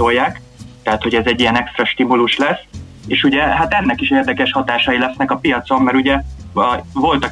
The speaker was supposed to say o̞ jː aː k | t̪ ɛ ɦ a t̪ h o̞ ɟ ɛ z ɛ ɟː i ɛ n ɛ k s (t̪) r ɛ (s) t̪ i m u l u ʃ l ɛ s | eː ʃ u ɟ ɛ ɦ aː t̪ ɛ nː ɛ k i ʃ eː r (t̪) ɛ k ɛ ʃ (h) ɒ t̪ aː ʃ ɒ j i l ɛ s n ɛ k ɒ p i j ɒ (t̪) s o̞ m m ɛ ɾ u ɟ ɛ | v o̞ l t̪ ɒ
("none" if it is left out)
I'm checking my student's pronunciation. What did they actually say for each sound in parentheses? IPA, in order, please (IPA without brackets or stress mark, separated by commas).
t̪, ʃ, d̪, h, t̪